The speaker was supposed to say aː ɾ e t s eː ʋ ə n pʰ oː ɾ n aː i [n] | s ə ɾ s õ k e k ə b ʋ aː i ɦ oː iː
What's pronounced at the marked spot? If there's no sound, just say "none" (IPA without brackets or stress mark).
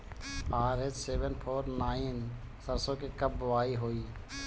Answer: n